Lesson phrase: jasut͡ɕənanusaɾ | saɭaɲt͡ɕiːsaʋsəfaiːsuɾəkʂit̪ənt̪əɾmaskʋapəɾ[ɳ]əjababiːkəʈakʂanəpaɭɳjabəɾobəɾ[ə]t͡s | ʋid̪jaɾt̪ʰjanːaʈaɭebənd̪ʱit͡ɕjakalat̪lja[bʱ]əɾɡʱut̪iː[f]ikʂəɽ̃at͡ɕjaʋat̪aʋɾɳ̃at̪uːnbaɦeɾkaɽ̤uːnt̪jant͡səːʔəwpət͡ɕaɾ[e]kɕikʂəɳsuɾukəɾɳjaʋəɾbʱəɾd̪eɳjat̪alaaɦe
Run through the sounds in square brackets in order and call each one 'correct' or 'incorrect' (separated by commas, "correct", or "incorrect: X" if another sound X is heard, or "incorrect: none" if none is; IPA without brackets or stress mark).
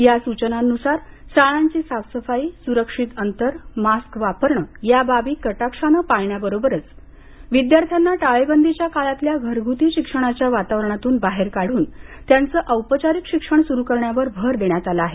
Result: correct, correct, incorrect: ɡʱ, incorrect: ɕ, incorrect: i